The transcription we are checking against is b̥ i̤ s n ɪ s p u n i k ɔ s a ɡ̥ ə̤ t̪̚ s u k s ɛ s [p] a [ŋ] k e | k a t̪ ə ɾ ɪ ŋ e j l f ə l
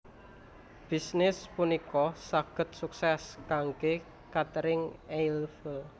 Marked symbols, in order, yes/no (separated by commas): no, yes